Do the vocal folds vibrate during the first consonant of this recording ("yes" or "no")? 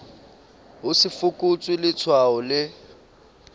yes